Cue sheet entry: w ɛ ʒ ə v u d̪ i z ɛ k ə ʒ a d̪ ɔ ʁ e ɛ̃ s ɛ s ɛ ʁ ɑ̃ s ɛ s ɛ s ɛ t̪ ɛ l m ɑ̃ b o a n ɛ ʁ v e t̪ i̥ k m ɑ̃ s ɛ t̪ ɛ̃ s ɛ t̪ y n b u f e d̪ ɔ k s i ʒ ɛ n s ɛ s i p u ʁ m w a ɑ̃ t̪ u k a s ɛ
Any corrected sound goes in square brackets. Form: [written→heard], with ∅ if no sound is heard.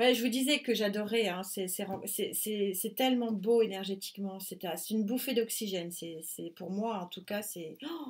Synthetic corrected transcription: w ɛ ʒ ə v u d̪ i z ɛ k ə ʒ a d̪ ɔ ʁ [e→ɛ] ɛ̃ s ɛ s ɛ ʁ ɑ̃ s ɛ s ɛ s ɛ t̪ ɛ l m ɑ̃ b o [a→e] n ɛ ʁ [v→ʒ] e t̪ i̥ k m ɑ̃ s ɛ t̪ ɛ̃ s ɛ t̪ y n b u f e d̪ ɔ k s i ʒ ɛ n s ɛ s [i→ɛ] p u ʁ m w a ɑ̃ t̪ u k a s ɛ